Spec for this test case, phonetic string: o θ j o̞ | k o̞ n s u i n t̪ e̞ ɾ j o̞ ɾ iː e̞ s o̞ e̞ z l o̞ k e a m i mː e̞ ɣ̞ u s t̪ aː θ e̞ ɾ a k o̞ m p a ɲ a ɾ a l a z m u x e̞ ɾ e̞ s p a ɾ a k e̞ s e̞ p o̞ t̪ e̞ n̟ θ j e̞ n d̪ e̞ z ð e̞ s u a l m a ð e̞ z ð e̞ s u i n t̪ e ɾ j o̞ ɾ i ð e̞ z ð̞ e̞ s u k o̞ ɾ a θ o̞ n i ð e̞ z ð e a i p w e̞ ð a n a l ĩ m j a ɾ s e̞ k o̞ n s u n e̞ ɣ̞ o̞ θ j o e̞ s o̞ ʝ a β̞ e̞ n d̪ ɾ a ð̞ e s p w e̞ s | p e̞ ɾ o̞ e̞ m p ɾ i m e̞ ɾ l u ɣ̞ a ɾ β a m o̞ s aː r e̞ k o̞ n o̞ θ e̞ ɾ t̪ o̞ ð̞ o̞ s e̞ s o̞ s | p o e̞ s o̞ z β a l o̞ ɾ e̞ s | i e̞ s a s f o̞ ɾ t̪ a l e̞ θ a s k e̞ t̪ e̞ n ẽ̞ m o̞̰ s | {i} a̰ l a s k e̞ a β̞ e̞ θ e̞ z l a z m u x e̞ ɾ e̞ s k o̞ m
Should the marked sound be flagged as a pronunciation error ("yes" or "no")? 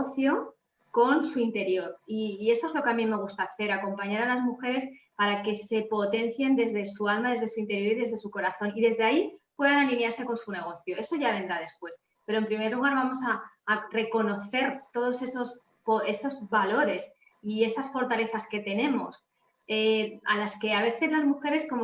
yes